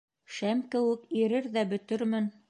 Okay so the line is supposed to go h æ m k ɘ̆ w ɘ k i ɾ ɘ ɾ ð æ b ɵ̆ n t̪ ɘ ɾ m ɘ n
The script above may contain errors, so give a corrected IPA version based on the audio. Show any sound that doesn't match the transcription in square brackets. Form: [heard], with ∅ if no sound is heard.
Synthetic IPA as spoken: [ʃ] æ m k ɘ̆ w ɘ k i ɾ ɘ ɾ ð æ b ɵ̆ [∅] t̪ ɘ ɾ m ɘ n